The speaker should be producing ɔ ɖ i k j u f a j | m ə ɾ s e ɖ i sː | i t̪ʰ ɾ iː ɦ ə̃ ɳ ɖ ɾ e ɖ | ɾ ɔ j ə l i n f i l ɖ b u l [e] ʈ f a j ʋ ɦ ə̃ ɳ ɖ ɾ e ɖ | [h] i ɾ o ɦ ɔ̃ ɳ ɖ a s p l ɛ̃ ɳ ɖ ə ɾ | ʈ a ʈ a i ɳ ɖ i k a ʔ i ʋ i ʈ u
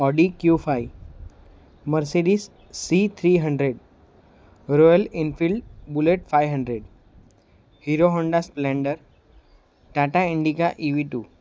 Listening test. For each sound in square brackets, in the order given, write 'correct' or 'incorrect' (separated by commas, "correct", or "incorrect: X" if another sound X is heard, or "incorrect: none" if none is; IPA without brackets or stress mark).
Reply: correct, correct